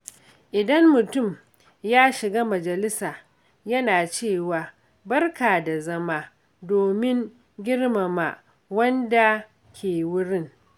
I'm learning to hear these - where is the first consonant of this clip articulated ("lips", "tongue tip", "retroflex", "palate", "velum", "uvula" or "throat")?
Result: throat